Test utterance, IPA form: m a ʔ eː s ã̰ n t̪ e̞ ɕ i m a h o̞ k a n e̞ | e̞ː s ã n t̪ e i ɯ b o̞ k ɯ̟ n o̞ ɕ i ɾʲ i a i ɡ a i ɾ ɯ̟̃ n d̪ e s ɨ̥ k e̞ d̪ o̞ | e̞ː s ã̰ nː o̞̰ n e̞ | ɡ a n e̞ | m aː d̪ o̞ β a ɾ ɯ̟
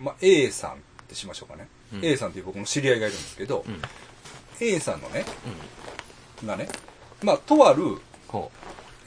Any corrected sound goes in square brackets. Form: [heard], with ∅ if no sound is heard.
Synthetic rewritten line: m a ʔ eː s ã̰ n t̪ e̞ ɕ i m a [ɕ] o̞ k a n e̞ | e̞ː s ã n t̪ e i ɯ b o̞ k ɯ̟ n o̞ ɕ i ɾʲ i a i ɡ a i ɾ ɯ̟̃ n d̪ e s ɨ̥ k e̞ d̪ o̞ | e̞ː s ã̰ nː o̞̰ n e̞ | ɡ a n e̞ | m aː [t̪] o̞ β a ɾ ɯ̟